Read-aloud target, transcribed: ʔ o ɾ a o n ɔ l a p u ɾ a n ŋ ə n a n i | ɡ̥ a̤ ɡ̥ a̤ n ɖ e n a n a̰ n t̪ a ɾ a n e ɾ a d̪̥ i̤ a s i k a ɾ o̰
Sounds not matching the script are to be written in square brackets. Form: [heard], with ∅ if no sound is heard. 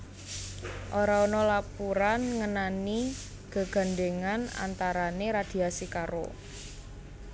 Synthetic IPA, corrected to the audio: ʔ o ɾ a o n ɔ l a p u ɾ a n ŋ ə n a n i | ɡ̥ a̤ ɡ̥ a̤ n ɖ e [ŋ] a n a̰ n t̪ a ɾ a n e ɾ a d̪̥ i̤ a s i k a ɾ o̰